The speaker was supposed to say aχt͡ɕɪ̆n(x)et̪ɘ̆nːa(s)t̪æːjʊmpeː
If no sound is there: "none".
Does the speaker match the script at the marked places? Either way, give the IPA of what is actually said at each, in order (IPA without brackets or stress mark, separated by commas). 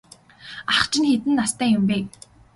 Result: x, s